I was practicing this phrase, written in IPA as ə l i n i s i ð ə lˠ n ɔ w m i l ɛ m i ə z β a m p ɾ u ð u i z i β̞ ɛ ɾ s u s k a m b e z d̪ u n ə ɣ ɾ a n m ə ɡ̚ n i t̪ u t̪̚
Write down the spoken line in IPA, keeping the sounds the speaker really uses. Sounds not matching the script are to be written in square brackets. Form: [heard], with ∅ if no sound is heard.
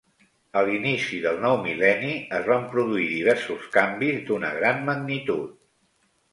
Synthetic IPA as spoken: ə l i n i s i ð ə lˠ n ɔ w m i l ɛ [n] i ə z β a m p ɾ u ð u i [ð] i β̞ ɛ ɾ s u s k a m b [i] z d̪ u n ə ɣ ɾ a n m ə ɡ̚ n i t̪ u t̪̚